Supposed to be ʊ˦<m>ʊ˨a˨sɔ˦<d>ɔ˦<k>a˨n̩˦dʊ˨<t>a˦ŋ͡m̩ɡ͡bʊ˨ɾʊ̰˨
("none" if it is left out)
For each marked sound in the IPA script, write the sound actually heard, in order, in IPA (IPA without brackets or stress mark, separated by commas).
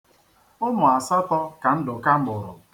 m, t, k, k